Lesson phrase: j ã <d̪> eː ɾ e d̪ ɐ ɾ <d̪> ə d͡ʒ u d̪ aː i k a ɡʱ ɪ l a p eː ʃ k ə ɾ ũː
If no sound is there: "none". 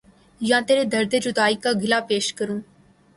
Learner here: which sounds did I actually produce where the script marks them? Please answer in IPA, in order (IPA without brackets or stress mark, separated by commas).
t̪, d̪